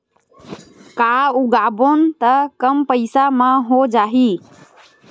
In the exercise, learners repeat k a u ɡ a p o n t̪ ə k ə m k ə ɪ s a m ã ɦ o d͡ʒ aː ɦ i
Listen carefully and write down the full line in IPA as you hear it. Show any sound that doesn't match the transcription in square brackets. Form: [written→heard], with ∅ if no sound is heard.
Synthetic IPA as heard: k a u ɡ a [p→b] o n t̪ ə k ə m [k→p] ə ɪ s a m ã ɦ o d͡ʒ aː ɦ i